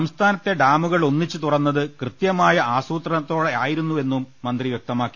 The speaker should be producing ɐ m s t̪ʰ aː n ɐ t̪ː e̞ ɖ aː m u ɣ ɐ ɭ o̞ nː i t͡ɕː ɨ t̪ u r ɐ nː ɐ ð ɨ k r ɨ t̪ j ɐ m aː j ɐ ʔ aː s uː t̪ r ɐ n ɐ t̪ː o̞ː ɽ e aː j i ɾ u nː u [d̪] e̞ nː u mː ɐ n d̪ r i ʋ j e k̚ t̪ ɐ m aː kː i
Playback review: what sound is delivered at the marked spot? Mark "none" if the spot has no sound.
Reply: none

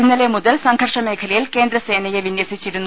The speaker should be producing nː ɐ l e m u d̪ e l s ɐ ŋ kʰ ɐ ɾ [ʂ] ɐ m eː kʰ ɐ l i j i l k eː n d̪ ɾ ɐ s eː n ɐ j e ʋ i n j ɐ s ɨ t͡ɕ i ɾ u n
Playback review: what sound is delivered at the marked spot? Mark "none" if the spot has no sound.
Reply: ʂ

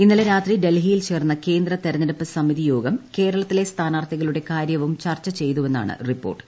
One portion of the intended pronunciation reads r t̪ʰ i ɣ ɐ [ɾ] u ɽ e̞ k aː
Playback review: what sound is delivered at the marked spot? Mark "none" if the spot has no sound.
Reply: ɭ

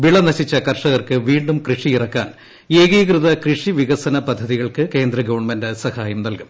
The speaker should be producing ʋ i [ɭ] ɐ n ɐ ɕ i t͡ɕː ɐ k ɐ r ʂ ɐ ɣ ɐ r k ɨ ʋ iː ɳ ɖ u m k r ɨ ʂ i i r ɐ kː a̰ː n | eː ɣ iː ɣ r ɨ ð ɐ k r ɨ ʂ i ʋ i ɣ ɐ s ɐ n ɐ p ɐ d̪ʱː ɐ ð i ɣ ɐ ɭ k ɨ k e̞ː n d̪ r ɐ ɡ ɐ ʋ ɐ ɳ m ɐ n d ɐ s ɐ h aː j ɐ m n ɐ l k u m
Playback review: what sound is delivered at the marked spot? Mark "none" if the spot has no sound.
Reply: ɭ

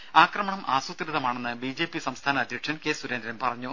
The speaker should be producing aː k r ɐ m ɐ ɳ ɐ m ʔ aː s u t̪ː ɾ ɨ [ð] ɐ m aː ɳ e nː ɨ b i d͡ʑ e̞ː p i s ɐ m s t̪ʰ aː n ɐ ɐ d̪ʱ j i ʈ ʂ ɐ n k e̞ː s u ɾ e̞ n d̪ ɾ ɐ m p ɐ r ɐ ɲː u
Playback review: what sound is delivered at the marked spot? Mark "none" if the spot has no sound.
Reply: ð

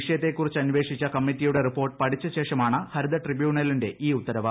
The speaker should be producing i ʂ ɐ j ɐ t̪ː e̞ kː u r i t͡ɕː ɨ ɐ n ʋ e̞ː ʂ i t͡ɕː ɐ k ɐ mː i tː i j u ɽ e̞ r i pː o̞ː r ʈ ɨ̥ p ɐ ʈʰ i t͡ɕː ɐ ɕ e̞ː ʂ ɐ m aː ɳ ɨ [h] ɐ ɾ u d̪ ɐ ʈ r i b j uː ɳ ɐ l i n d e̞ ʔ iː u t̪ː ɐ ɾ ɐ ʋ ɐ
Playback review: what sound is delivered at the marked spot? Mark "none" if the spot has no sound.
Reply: h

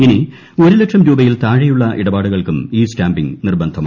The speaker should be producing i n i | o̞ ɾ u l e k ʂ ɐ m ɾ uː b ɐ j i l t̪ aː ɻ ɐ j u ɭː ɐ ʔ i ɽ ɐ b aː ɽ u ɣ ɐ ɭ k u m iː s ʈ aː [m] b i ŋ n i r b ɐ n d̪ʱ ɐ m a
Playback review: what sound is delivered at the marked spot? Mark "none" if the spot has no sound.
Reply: m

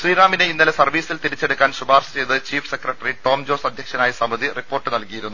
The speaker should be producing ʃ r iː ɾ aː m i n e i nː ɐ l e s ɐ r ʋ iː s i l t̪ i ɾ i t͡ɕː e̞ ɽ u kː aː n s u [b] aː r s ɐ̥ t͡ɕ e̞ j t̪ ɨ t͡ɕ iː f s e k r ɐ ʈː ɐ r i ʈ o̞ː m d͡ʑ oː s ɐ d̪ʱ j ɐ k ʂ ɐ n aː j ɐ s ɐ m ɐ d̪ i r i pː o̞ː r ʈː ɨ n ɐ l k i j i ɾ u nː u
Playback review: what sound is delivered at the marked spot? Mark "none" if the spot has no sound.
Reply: b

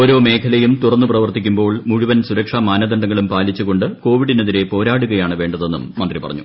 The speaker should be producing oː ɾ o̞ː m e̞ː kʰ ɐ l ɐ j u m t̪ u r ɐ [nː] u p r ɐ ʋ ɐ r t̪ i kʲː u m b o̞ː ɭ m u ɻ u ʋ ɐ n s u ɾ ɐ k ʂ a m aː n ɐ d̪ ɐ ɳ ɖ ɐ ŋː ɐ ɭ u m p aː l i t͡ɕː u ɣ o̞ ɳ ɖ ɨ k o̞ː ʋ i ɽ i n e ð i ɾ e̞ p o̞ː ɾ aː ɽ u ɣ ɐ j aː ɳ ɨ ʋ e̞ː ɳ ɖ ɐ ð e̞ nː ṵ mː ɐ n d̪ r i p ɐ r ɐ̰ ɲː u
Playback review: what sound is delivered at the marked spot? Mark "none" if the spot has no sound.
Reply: nː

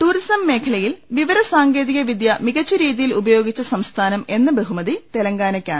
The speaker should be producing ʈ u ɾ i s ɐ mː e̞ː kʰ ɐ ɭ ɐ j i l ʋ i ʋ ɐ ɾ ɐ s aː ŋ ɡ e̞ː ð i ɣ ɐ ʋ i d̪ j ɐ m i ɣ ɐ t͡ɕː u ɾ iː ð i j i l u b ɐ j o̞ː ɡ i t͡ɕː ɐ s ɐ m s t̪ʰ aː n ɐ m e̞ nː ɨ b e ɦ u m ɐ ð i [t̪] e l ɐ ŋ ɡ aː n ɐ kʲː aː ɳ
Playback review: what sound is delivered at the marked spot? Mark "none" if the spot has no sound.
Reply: t̪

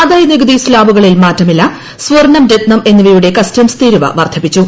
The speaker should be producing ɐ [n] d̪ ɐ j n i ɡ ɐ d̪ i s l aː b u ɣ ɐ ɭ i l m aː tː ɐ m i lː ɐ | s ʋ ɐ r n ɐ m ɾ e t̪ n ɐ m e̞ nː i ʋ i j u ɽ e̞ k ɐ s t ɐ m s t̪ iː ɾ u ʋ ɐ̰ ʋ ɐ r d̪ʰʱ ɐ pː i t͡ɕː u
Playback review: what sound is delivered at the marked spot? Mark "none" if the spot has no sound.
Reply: none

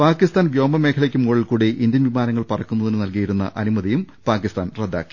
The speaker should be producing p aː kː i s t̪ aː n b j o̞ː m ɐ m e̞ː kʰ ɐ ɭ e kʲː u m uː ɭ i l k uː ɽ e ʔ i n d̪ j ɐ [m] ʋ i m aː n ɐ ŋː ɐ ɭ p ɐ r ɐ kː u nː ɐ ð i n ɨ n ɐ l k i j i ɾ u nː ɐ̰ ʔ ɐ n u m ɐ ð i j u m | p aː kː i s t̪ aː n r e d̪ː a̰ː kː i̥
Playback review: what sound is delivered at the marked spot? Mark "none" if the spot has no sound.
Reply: n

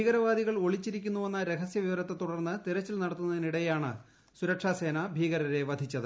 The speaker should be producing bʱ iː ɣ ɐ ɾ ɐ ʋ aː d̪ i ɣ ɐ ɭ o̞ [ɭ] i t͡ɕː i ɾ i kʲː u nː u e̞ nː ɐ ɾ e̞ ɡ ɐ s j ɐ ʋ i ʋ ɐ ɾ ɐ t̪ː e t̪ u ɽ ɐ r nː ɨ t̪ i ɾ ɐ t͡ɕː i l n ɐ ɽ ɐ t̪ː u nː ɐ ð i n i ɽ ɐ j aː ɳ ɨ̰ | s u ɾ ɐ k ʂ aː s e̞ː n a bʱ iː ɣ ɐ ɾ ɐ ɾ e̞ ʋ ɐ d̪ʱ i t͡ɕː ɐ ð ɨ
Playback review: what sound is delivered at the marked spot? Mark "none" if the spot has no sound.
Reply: ɭ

